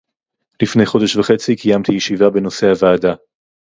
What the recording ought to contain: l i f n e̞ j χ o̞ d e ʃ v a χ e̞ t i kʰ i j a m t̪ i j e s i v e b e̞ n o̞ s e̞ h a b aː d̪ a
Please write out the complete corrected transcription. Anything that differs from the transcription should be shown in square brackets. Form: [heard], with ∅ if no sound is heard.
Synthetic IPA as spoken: l i f n e̞ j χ o̞ d e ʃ v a χ e̞ [t͡s] i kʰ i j a m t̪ i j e [ʃ] i v [a] b e̞ n o̞ s e̞ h a [v] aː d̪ a